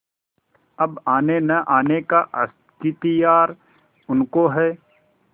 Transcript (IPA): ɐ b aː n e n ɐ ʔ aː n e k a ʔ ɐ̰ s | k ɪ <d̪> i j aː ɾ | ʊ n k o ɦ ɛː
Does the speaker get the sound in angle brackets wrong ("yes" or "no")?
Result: yes